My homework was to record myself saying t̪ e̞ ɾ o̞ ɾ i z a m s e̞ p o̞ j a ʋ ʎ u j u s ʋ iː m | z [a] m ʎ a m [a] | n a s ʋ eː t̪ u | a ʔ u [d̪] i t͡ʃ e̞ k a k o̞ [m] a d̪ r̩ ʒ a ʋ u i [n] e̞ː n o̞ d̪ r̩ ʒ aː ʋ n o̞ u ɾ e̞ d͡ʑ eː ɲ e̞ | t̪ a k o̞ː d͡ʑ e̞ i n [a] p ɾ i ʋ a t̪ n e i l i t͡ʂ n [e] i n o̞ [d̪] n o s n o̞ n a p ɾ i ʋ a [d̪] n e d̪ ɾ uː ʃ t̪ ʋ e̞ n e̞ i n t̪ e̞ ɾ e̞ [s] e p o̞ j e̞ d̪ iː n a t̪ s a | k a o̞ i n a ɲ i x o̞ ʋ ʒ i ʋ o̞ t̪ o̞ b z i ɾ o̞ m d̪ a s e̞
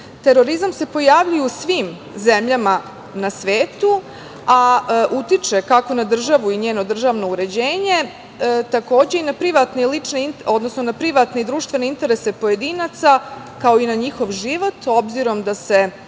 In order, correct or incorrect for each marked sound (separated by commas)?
incorrect, correct, incorrect, incorrect, incorrect, correct, correct, correct, incorrect, correct